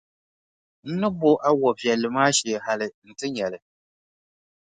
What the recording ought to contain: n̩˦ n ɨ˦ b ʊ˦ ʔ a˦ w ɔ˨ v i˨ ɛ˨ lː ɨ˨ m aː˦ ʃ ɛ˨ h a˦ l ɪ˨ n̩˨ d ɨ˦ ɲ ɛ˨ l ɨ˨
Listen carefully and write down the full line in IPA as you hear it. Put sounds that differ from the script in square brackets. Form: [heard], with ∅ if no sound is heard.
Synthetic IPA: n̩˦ n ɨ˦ b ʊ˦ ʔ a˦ w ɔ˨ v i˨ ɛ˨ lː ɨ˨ m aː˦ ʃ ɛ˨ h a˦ l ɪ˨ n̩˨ [t] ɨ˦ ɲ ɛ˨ l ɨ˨